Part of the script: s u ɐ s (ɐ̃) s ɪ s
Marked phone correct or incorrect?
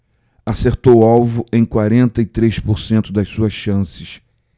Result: correct